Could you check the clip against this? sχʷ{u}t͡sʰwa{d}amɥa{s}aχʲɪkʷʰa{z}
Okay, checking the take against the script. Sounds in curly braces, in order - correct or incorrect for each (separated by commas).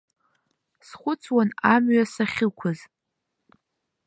incorrect, incorrect, correct, correct